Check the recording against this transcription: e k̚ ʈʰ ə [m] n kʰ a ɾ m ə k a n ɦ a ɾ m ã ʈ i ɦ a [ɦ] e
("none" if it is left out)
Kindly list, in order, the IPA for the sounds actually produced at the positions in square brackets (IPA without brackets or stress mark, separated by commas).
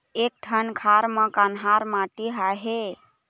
none, ɦ